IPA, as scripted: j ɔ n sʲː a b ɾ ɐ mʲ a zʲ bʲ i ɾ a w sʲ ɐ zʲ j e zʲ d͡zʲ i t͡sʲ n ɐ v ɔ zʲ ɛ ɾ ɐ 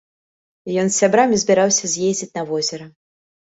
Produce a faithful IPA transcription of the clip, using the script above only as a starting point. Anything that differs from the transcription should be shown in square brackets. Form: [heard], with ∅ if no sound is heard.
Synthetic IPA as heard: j ɔ n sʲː a b ɾ [a] mʲ [i] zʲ bʲ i ɾ a w sʲ ɐ zʲ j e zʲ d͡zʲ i t͡sʲ n ɐ v ɔ zʲ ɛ ɾ ɐ